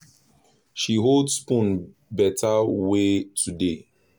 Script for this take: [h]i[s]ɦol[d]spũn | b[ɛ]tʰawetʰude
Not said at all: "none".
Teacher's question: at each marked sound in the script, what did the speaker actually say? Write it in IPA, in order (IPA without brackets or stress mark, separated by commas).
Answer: ʃ, none, d, ɛ